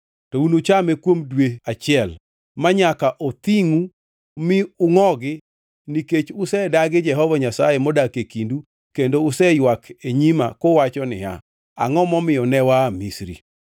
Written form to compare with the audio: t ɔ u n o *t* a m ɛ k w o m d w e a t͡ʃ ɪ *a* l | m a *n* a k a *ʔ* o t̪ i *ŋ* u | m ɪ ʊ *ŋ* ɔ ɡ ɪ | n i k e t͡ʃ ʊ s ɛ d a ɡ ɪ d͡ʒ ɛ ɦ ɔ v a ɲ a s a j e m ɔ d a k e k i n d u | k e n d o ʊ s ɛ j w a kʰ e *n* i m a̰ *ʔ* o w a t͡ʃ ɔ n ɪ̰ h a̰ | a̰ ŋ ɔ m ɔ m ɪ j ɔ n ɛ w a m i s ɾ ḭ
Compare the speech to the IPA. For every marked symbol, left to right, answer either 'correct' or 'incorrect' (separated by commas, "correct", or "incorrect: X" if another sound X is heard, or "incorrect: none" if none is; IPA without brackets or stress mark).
incorrect: t͡ʃ, incorrect: ɛ, incorrect: ɲ, correct, correct, correct, incorrect: ɲ, incorrect: k